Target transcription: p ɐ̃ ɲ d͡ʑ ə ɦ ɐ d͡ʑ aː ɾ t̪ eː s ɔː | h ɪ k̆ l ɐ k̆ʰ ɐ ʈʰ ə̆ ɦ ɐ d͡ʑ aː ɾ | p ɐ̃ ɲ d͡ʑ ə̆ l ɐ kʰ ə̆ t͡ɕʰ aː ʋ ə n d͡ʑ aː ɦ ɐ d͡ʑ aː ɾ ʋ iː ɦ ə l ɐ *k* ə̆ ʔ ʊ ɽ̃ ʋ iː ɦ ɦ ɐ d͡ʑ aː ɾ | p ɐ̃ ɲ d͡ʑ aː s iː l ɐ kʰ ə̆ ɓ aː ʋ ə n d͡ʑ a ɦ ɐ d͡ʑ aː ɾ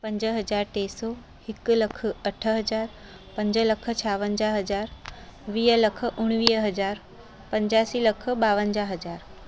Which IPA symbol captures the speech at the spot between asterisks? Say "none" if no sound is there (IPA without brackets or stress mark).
kʰ